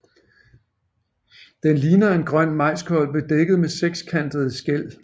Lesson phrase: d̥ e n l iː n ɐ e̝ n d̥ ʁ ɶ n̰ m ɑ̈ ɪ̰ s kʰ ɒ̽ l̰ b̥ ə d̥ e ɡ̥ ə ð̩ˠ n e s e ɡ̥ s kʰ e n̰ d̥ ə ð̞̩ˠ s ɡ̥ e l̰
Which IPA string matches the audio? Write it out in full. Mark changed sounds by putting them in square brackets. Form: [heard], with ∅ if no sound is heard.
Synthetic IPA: d̥ e n l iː n ɐ e̝ n [ɡ̥] ʁ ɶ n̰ m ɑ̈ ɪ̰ s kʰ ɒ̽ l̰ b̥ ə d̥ e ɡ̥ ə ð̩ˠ [m] e s e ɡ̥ s kʰ [æ] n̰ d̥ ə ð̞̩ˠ s ɡ̥ e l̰